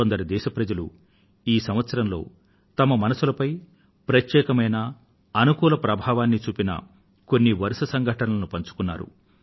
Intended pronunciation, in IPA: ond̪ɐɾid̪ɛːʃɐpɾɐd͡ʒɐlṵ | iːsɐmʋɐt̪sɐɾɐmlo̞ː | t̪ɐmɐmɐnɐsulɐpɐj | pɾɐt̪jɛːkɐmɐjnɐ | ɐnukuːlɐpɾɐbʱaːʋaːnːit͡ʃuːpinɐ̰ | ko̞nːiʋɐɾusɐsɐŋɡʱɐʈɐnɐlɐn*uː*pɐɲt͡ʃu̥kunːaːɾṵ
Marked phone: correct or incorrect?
incorrect: u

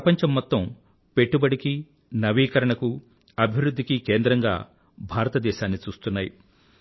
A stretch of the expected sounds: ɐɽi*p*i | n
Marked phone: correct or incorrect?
incorrect: k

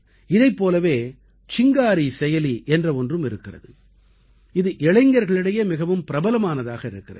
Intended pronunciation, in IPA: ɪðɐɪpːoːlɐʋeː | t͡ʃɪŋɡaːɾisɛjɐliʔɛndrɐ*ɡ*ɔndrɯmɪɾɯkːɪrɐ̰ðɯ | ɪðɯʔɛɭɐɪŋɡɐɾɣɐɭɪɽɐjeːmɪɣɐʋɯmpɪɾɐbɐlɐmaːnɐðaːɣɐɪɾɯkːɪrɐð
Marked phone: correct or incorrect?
incorrect: none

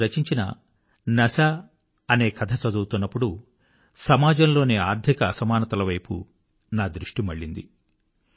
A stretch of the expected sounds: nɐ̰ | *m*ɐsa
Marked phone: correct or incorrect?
incorrect: n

